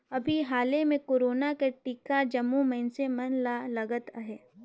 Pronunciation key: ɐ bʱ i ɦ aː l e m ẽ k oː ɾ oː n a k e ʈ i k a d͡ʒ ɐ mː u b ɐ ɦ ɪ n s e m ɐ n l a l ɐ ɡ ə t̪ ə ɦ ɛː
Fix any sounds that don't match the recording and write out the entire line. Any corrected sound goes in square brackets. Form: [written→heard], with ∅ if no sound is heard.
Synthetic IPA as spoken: ɐ bʱ i ɦ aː l e m ẽ k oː ɾ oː n a k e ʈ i k a d͡ʒ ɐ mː u [b→m] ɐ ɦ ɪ n s e m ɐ n l a l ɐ ɡ ə t̪ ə ɦ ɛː

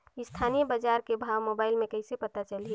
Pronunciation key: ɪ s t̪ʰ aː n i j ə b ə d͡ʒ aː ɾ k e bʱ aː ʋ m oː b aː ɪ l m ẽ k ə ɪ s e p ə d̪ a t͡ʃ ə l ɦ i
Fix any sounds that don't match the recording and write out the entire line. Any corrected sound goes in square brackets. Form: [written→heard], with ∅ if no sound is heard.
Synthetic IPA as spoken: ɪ s t̪ʰ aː n i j ə b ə d͡ʒ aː ɾ k e bʱ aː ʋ m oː b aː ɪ l m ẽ k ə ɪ s e p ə [d̪→t̪] a t͡ʃ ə l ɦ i

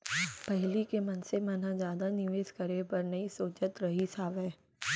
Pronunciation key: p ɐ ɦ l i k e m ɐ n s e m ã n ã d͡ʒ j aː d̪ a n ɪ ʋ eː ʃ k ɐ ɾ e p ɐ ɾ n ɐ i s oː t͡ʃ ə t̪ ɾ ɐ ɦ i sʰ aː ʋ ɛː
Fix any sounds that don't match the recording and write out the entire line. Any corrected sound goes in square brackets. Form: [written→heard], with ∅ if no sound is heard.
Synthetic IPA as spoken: p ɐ ɦ l i k e m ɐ n s e m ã n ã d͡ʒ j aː d̪ a n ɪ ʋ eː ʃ k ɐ ɾ e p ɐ ɾ n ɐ i s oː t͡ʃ ə t̪ ɾ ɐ ɦ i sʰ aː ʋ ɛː

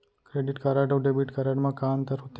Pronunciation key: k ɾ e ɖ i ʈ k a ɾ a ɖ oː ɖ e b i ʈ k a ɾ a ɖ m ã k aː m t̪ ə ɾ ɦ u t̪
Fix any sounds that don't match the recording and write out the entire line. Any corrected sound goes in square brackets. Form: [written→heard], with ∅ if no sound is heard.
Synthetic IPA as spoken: k ɾ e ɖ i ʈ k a ɾ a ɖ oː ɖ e b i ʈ k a ɾ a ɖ m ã k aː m t̪ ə ɾ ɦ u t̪

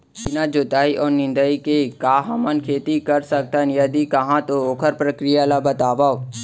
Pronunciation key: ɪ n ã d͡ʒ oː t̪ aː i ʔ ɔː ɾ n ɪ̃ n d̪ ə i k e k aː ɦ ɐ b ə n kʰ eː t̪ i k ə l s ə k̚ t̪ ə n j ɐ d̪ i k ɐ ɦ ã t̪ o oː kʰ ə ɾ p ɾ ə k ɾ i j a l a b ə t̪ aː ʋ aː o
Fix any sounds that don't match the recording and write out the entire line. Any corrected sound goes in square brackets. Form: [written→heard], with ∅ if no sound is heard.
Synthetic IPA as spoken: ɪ n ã d͡ʒ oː t̪ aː i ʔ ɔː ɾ n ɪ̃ n d̪ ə i k e k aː ɦ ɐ [b→m] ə n kʰ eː t̪ i k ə [l→ɾ] s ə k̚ t̪ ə n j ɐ d̪ i k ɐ ɦ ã t̪ o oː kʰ ə ɾ p ɾ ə k ɾ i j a l a b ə t̪ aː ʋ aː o

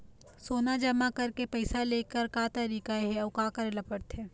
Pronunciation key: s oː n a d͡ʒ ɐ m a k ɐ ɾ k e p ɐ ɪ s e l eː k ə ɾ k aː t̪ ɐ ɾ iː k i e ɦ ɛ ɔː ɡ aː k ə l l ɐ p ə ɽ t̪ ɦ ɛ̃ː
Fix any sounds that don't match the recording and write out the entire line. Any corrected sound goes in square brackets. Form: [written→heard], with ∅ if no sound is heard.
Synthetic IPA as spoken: s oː n a d͡ʒ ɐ m a k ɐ ɾ k e p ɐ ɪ s [e→a] l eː k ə ɾ k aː t̪ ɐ ɾ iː k [i→a] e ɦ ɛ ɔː [ɡ→k] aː k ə [l→ɾ] l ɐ p ə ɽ t̪ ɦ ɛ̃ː

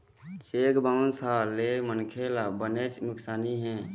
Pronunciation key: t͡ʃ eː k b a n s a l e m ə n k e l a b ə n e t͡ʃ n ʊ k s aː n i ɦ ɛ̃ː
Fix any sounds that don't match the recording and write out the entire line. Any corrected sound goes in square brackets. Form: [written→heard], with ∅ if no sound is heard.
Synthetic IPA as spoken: t͡ʃ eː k b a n s a l e m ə n [k→kʰ] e l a b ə n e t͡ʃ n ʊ k s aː n i ɦ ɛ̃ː

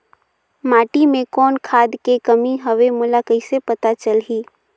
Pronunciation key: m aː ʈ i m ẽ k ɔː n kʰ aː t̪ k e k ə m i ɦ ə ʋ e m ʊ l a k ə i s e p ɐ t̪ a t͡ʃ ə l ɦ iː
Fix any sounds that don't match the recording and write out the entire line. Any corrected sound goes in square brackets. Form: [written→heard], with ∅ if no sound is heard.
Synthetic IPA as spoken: m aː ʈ i m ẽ k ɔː n kʰ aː [t̪→d̪] k e k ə m i ɦ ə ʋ e m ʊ l a k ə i s e p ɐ t̪ a t͡ʃ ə l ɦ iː

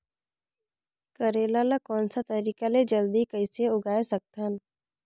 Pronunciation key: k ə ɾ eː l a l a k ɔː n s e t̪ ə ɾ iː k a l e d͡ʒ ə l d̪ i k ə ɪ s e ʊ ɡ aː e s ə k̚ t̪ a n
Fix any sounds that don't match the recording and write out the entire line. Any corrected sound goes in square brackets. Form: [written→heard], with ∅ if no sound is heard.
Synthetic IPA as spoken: k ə ɾ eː l a l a k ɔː n s [e→a] t̪ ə ɾ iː k a l e d͡ʒ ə l d̪ i k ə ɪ s e ʊ ɡ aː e s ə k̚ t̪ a n

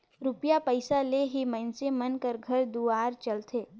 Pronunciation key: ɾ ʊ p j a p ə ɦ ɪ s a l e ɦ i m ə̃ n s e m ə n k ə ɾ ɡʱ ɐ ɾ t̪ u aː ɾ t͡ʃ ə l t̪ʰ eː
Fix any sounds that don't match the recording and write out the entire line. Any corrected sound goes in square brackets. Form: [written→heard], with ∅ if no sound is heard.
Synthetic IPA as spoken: ɾ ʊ p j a p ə [ɦ→∅] ɪ s a l e ɦ i m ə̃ n s e m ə n k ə ɾ ɡʱ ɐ ɾ [t̪→d̪] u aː ɾ t͡ʃ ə l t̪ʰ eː

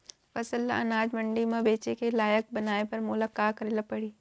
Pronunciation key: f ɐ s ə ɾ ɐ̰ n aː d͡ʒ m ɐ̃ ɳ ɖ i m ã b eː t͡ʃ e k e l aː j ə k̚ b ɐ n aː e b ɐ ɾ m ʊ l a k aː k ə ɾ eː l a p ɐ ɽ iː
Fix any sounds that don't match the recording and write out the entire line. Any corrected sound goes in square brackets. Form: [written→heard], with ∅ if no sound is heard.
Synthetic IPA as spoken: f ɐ s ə [ɾ→l] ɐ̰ n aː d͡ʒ m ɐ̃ ɳ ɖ i m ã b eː t͡ʃ e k e l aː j ə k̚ b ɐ n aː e [b→p] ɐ ɾ m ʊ l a k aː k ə ɾ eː l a p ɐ ɽ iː

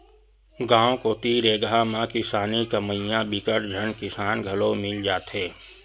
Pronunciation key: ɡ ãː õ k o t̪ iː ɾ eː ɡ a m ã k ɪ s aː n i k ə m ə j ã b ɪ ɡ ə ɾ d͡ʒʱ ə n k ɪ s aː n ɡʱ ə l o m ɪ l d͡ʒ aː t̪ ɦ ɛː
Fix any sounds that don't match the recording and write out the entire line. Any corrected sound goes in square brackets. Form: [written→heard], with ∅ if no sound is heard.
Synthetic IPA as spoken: ɡ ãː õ k o t̪ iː ɾ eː ɡ a m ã k ɪ s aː n i k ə m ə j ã b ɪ [ɡ→k] ə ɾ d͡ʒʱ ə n k ɪ s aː n ɡʱ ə l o m ɪ l d͡ʒ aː t̪ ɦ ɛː

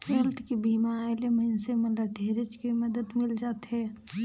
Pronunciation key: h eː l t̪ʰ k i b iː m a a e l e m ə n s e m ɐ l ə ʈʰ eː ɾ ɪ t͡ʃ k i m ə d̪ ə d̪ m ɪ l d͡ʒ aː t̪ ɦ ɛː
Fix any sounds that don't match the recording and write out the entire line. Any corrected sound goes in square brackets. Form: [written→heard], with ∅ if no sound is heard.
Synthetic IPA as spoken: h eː l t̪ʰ k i b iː m a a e l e m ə n s e m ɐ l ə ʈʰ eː ɾ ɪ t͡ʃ k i m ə d̪ ə d̪ m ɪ l d͡ʒ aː t̪ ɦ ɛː

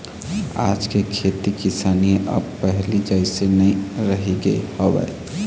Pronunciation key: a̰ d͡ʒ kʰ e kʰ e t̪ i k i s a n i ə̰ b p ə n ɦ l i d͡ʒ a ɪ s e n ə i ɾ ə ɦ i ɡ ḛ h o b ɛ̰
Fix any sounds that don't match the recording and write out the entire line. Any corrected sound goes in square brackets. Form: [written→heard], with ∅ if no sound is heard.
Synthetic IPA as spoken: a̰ d͡ʒ [kʰ→k] e kʰ e t̪ i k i s a n i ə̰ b p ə [n→∅] ɦ l i d͡ʒ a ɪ s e n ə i ɾ ə ɦ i ɡ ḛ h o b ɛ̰

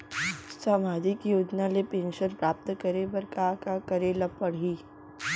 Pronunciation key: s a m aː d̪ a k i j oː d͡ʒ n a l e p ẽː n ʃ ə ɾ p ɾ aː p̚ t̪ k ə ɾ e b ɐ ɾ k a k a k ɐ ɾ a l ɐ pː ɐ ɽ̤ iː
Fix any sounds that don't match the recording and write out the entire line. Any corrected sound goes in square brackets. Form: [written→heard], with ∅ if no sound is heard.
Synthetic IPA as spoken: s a m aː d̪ [a→i] k i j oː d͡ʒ n a l e p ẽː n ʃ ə ɾ p ɾ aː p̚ t̪ k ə ɾ e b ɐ ɾ k a k a k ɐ ɾ [a→e] l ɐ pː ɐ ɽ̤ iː

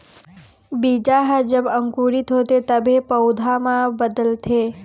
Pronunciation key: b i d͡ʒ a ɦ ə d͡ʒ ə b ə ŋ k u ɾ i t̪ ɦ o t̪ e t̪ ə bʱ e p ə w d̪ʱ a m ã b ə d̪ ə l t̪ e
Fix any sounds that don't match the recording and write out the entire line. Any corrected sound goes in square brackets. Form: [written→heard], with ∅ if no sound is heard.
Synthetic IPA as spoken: b i d͡ʒ a ɦ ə d͡ʒ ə b ə ŋ k u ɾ i t̪ ɦ o t̪ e t̪ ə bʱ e p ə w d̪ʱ a m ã b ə d̪ ə l [t̪→t̪ʰ] e

